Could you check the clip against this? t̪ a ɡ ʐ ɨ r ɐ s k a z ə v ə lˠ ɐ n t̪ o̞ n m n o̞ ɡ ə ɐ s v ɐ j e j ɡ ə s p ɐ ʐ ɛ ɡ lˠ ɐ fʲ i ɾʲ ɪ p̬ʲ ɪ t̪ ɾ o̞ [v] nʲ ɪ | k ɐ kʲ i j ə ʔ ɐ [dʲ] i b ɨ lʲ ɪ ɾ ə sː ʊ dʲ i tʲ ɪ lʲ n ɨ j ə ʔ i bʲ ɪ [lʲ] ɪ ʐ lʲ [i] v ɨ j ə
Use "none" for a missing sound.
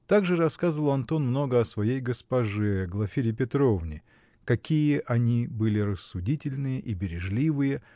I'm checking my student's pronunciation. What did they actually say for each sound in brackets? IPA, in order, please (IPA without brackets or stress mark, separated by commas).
v, nʲ, ɾʲ, i